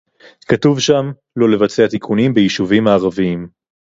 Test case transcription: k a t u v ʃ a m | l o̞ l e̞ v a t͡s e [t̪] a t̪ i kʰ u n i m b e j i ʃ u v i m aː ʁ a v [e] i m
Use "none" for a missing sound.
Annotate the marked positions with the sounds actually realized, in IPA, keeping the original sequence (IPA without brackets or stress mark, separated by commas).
none, i